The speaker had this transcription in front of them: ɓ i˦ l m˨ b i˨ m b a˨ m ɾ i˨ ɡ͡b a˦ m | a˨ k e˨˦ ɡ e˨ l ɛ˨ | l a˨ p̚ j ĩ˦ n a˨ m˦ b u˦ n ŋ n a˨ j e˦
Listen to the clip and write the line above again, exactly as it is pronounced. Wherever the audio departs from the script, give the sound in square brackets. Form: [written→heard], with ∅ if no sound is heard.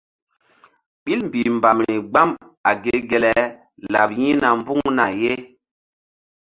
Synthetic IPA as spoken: ɓ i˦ l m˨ b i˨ m b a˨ m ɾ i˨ ɡ͡b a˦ m | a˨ [k→ɡ] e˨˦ ɡ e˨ l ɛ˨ | l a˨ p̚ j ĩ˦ n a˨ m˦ b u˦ [n→ŋ] ŋ n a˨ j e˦